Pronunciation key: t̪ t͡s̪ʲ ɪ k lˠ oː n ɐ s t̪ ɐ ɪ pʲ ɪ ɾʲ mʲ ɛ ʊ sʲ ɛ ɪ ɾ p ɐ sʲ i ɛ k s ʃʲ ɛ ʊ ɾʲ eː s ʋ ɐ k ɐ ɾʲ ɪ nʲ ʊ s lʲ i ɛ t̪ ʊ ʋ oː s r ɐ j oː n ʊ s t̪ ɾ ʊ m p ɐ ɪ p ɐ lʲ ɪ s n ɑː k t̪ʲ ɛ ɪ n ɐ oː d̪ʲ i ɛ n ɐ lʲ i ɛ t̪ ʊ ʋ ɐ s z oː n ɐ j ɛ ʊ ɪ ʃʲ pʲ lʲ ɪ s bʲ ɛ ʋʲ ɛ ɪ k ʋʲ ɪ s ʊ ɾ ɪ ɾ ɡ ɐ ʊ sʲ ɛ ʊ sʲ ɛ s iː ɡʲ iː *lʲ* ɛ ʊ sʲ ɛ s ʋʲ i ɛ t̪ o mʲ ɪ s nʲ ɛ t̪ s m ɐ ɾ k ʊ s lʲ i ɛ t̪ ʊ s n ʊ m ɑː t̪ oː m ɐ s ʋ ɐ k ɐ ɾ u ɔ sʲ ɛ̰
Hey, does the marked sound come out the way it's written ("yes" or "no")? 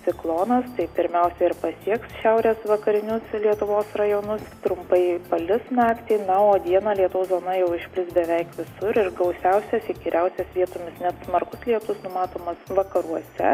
no